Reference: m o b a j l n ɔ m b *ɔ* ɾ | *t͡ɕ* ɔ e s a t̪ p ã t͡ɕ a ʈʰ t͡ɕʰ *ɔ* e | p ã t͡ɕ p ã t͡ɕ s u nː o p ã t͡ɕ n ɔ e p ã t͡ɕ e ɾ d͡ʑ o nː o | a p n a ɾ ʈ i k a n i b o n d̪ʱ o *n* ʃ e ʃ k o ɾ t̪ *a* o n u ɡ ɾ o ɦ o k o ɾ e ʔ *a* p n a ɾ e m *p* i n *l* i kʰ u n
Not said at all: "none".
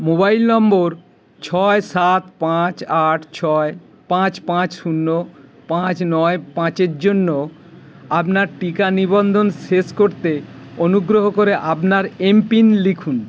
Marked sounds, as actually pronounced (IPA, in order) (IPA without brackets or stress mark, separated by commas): o, t͡ɕʰ, ɔ, n, e, a, p, l